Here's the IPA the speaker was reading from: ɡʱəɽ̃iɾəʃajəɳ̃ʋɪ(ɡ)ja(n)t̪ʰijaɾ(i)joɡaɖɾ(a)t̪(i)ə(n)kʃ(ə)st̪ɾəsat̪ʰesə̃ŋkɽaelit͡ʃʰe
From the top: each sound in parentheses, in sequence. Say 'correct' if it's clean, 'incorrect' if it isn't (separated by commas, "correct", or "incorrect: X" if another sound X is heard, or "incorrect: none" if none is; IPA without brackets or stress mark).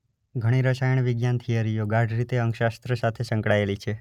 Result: correct, correct, correct, incorrect: i, incorrect: e, incorrect: ŋ, incorrect: a